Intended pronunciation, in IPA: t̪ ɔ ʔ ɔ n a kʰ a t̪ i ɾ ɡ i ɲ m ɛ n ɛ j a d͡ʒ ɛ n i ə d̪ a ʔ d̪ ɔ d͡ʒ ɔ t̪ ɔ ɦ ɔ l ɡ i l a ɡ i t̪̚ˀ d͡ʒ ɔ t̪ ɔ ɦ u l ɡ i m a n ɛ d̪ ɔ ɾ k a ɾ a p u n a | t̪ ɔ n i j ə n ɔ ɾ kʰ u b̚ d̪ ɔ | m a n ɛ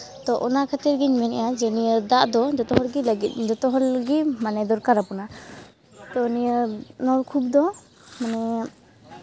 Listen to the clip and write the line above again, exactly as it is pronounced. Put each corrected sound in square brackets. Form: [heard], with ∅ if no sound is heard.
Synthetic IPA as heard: t̪ ɔ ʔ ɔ n a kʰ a t̪ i ɾ ɡ i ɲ m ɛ n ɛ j a d͡ʒ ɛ n i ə d̪ a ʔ d̪ ɔ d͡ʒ ɔ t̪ ɔ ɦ ɔ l ɡ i l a ɡ i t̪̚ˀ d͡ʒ ɔ t̪ ɔ ɦ [ɔ] l ɡ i m a n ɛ d̪ ɔ ɾ k a ɾ a p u n a | t̪ ɔ n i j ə n ɔ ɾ kʰ u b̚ d̪ ɔ | m a n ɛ